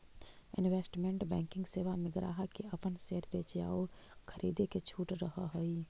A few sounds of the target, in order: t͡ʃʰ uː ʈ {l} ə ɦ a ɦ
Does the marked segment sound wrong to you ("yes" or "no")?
yes